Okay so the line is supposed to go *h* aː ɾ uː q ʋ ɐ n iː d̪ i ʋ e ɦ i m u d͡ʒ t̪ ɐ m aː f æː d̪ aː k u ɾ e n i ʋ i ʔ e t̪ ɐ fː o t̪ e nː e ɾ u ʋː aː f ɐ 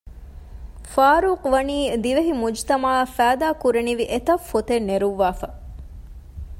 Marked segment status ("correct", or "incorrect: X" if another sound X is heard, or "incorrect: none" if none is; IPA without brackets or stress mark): incorrect: f